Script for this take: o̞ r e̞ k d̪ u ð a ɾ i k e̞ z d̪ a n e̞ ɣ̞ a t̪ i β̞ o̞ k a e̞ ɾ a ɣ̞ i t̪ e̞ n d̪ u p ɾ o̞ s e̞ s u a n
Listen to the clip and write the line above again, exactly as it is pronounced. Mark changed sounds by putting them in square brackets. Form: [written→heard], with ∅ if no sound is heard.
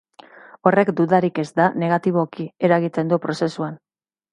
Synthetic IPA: o̞ r e̞ k d̪ u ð a ɾ i k e̞ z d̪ a n e̞ ɣ̞ a t̪ i β̞ o̞ k [a→i] e̞ ɾ a ɣ̞ i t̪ e̞ n d̪ u p ɾ o̞ s e̞ s u a n